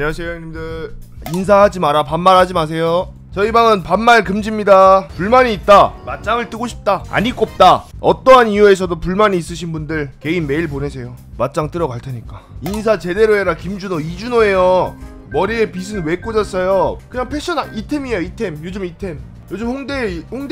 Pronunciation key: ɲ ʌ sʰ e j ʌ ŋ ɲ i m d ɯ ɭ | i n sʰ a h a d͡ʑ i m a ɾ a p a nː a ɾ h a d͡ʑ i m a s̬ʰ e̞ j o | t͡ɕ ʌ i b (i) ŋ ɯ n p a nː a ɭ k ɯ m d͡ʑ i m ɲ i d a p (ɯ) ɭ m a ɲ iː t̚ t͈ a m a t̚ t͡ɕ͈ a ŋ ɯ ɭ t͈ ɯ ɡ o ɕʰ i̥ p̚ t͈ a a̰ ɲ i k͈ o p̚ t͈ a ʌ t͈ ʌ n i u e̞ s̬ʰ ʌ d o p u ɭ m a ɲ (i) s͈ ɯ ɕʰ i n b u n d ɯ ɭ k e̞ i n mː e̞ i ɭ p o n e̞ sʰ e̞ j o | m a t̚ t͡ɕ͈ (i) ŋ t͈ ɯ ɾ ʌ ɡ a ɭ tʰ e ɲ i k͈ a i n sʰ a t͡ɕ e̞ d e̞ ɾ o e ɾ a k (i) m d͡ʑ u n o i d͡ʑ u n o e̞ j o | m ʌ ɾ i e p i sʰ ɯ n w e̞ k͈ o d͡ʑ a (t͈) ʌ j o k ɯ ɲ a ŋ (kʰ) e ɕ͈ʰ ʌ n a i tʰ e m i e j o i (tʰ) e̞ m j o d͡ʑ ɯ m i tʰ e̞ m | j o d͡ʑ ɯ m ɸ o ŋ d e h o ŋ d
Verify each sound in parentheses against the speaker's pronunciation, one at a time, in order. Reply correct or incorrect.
incorrect, incorrect, incorrect, incorrect, correct, incorrect, incorrect, correct

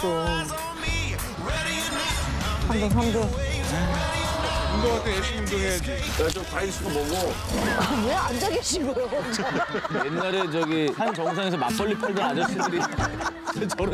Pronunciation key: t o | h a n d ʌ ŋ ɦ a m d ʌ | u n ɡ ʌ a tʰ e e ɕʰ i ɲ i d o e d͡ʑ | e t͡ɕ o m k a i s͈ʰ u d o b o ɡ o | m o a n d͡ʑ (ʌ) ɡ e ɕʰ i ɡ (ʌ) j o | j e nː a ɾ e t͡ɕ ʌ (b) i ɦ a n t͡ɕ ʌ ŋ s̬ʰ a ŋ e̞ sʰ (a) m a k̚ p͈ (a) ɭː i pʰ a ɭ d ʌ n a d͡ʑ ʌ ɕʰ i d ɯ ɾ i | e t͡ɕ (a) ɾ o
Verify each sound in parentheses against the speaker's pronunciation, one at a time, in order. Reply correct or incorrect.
incorrect, correct, incorrect, incorrect, incorrect, incorrect

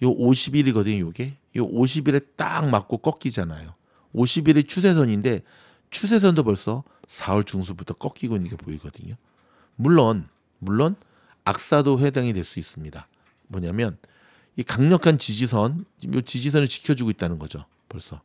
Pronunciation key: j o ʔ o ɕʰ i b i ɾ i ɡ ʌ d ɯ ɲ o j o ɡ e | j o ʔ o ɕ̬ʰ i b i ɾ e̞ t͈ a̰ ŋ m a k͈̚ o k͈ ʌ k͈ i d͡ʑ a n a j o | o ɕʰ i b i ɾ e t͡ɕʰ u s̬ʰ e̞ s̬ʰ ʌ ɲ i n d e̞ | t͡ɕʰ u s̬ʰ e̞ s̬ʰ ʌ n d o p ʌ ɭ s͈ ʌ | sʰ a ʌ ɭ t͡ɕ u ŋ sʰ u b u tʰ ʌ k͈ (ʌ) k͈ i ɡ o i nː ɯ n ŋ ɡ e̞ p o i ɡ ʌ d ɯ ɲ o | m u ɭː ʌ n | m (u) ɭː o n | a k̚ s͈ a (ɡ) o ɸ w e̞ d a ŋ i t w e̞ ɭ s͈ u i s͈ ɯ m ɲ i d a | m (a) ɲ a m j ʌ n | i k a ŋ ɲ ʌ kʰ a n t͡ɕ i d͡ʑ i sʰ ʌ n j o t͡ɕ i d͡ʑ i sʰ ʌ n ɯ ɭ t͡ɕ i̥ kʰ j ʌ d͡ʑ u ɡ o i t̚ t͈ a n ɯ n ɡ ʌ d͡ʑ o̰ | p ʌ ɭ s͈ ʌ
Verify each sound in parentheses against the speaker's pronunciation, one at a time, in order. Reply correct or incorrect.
correct, correct, incorrect, incorrect

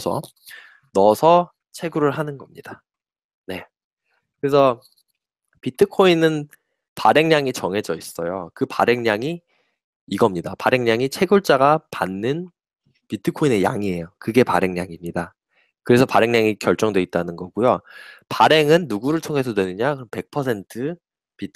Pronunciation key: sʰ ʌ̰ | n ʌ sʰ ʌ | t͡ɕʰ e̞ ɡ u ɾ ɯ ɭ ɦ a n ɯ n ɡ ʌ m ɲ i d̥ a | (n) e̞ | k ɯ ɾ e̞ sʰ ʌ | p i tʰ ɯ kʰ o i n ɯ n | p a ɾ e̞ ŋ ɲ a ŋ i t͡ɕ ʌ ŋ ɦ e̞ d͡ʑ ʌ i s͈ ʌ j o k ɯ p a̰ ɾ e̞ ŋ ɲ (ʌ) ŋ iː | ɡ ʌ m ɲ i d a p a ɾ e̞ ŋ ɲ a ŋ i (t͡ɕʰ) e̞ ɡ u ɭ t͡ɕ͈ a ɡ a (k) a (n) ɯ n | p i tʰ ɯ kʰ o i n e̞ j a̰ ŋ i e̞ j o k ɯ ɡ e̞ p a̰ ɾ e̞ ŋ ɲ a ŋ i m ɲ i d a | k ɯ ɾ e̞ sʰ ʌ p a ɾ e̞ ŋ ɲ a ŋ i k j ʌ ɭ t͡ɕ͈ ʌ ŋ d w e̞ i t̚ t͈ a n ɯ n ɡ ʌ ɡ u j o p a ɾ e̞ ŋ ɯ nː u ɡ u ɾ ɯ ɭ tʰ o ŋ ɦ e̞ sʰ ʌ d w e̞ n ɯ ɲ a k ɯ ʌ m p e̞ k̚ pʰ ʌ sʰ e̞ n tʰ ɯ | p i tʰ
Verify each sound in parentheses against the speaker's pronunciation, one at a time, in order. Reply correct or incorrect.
correct, incorrect, correct, incorrect, incorrect

